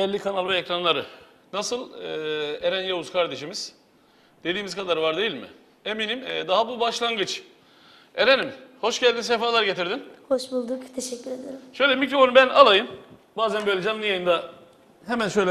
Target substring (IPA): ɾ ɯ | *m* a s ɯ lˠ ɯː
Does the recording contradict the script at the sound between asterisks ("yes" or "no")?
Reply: yes